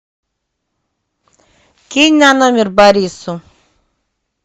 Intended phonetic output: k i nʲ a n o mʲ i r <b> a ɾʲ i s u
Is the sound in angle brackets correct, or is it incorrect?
correct